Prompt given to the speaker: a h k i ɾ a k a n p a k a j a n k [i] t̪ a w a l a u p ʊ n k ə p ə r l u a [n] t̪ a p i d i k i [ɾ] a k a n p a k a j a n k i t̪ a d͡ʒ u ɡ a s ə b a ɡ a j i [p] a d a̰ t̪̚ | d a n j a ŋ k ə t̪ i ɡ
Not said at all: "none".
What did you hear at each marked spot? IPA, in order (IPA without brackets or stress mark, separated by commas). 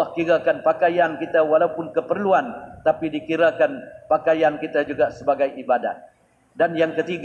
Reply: i, n, ɾ, b